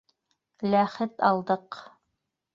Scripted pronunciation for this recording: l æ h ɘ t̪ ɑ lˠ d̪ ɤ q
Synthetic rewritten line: l æ χ ɘ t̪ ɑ lˠ d̪ ɤ q

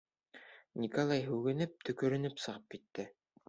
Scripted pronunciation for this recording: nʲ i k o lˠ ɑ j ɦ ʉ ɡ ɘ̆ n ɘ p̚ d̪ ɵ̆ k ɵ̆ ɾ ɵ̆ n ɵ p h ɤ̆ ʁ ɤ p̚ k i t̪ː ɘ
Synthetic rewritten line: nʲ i k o lˠ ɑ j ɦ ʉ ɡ ɘ̆ n ɘ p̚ t̪ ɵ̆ k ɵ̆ ɾ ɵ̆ n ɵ p s ɤ̆ ʁ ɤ p̚ k i t̪ː ɘ

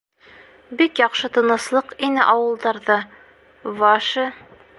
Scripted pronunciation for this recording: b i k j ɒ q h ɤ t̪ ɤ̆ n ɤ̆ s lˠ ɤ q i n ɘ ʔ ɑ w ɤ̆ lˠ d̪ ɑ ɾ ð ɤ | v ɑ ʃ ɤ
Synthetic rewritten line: b i k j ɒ q ʃ ɤ t̪ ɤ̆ n ɤ̆ s lˠ ɤ q i n ɘ ʔ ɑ w ɤ̆ lˠ d̪ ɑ ɾ ð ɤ | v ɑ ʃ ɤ

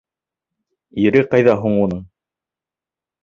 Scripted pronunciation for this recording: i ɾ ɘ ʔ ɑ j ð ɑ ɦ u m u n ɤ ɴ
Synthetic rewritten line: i ɾ ɘ q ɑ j ð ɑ ɦ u ɴ u n ɤ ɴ

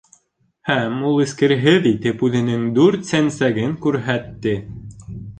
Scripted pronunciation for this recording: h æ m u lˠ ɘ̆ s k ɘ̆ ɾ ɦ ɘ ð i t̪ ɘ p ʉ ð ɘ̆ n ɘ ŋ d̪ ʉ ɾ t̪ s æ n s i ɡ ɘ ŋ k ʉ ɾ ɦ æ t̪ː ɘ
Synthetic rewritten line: h æ m u lˠ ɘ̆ s k ɘ̆ ɾ ɦ ɘ ð i t̪ ɘ p ʉ ð ɘ̆ n ɘ ŋ d̪ ʉ ɾ t̪ s æ n s æ ɡ ɘ ŋ k ʉ ɾ ɦ æ t̪ː ɘ

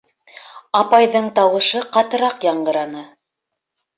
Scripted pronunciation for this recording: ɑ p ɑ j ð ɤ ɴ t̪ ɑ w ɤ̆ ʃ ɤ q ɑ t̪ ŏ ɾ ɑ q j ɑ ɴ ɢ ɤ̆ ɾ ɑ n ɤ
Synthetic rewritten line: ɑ p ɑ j ð ɤ ɴ t̪ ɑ w ɤ̆ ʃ ɤ q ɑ t̪ ɤ̆ ɾ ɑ q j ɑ ɴ ɢ ɤ̆ ɾ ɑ n ɤ

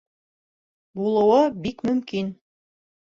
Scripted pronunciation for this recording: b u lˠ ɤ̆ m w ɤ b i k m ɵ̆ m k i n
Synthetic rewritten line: b u lˠ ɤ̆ w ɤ b i k m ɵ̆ m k i n

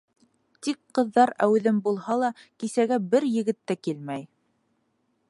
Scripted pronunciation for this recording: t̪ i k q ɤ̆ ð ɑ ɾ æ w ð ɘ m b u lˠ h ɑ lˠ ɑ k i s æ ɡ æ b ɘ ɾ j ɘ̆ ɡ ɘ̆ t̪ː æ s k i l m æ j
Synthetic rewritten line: t̪ i k q ɤ̆ ðː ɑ ɾ æ w ð ɘ m b u lˠ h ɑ lˠ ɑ k i s æ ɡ æ b ɘ ɾ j ɘ̆ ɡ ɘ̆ t̪ː æ k i l m æ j

